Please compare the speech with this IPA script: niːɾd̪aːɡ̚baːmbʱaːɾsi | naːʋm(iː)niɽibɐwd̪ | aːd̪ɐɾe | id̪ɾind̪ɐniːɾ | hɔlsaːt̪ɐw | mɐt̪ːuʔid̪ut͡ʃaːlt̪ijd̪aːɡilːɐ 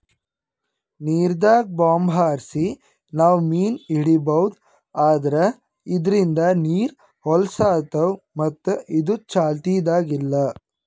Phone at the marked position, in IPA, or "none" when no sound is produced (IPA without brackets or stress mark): iː